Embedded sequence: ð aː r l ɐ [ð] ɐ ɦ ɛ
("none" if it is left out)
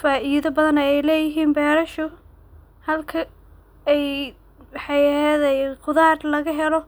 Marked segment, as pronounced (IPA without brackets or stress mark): ɣ